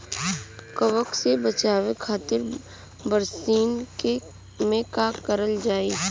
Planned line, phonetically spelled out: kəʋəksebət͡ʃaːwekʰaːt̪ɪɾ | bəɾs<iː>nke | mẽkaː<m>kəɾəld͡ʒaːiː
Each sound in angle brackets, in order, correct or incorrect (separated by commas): correct, incorrect